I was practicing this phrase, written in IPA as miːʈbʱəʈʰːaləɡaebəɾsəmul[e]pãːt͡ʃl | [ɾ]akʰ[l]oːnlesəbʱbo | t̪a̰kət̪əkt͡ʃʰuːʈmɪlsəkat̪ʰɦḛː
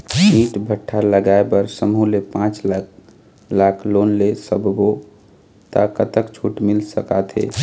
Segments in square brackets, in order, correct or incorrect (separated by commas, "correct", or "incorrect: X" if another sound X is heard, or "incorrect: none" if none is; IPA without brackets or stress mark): correct, incorrect: l, correct